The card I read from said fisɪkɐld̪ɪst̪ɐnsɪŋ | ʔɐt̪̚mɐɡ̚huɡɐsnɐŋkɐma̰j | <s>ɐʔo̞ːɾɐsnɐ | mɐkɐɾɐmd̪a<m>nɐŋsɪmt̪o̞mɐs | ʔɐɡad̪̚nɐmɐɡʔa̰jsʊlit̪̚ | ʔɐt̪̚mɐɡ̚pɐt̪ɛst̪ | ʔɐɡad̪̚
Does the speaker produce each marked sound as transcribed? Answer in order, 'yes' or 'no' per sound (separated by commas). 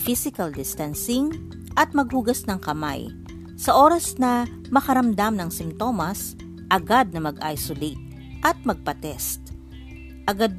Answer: yes, yes